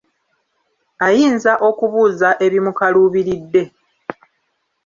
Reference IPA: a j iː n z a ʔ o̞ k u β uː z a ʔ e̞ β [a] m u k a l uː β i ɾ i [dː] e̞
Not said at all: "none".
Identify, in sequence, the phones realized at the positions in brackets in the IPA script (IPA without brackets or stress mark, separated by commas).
i, dː